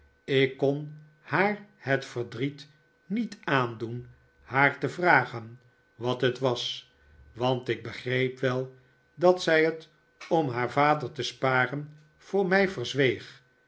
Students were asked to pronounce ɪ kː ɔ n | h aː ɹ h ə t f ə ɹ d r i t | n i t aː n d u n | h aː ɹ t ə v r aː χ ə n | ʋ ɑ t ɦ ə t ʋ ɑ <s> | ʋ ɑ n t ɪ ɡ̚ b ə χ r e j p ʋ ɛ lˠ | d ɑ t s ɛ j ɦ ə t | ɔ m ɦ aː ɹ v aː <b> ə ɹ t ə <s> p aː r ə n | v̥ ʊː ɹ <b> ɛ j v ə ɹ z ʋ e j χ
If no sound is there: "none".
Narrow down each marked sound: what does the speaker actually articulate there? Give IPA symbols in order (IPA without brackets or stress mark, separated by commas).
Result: s, d, s, m